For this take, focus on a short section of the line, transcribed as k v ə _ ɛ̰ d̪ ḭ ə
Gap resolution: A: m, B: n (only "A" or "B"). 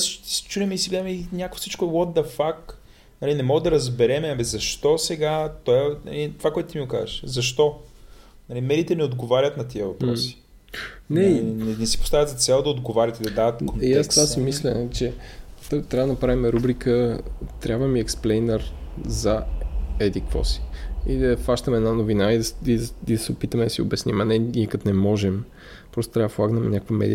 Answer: A